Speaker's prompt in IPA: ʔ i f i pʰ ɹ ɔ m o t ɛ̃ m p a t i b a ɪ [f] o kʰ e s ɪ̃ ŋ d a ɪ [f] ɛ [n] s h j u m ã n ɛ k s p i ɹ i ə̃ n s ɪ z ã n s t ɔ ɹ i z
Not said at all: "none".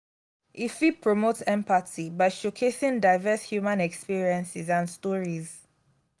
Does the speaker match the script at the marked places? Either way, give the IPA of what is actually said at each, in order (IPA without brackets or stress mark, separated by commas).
ʃ, v, none